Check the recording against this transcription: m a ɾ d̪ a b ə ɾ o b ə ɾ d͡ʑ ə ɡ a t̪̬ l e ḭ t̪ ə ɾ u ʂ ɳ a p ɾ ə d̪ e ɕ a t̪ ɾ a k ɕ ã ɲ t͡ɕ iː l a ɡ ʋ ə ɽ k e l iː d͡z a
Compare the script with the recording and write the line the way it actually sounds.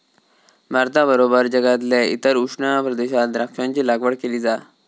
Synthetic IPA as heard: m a ɾ t̪ a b ə ɾ o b ə ɾ d͡ʑ ə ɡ a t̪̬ l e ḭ t̪ ə ɾ u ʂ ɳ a p ɾ ə d̪ e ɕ a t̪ ɾ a k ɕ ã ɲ t͡ɕ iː l a ɡ ʋ ə ɽ k e l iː d͡z a

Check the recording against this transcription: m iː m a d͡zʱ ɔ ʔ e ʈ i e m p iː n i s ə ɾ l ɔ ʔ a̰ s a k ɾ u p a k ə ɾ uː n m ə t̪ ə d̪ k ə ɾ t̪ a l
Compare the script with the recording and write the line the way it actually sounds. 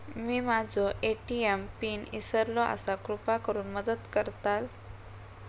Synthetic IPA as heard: m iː m a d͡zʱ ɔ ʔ e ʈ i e m p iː n i s ə ɾ l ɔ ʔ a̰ s a k ɾ u p a k ə ɾ uː n m ə d̪ ə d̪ k ə ɾ t̪ a l

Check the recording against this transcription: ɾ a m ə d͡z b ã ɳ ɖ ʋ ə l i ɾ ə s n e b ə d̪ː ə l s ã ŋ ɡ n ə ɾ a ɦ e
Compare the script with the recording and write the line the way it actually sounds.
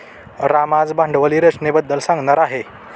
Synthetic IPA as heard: ɾ a m a d͡z b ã ɳ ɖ ʋ ə l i ɾ ə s n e b ə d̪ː ə l s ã ŋ ɡ n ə ɾ a ɦ e

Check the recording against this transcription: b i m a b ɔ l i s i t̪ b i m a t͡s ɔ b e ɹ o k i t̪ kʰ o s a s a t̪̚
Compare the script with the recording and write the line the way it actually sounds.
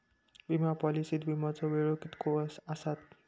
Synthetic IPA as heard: b i m a p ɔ l i s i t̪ b i m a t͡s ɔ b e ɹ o k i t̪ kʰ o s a s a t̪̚

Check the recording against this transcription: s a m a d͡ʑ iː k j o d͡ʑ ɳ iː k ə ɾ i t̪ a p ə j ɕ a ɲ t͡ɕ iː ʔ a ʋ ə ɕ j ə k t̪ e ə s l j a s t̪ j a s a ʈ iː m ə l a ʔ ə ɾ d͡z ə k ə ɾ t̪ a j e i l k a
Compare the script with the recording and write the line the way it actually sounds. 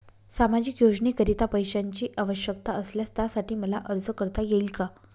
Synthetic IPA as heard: s a m a d͡ʑ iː k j o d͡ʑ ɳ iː k ə ɾ i t̪ a p ə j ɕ a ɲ t͡ɕ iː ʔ a ʋ ə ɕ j ə k t̪ a ə s l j a s t̪ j a s a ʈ iː m ə l a ʔ ə ɾ d͡z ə k ə ɾ t̪ a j e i l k a

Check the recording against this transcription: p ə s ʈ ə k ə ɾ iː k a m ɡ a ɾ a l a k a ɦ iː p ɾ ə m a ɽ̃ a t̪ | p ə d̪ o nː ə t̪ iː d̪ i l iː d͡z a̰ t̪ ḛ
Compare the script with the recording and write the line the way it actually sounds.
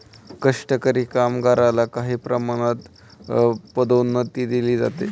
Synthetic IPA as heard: k ə ʂ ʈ ə k ə ɾ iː k a m ɡ a ɾ a l a k a ɦ iː p ɾ ə m a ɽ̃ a t̪ | p ə d̪ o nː ə t̪ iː d̪ i l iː d͡z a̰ t̪ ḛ

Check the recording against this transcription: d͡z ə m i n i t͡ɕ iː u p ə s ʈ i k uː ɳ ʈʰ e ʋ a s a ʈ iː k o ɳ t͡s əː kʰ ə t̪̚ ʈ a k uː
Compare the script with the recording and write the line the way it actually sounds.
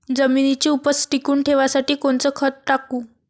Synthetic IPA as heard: d͡z ə m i n i t͡ɕ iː u p ə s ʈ i k uː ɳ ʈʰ e ʋ a s a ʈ iː k o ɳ t͡s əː kʰ ə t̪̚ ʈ a k uː

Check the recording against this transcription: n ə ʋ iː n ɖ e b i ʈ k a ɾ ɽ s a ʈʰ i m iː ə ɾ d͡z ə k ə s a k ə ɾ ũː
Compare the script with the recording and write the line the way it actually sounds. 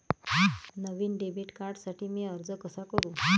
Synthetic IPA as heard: n ə ʋ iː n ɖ e b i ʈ k a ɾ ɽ s a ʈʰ iː m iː ə ɾ d͡z ə k ə s a k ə ɾ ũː

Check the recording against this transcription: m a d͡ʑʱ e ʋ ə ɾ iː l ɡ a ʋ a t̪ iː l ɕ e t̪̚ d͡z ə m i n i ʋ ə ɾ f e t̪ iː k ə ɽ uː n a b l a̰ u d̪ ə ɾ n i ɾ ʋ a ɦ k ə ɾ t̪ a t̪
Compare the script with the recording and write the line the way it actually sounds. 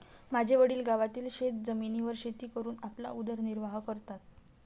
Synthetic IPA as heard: m a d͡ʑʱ e ʋ ə ɽ iː l ɡ a ʋ a t̪ iː l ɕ e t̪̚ d͡z ə m i n i ʋ ə ɾ ɕ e t̪ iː k ə ɾ uː n a p l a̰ u d̪ ə ɾ n i ɾ ʋ a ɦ k ə ɾ t̪ a t̪

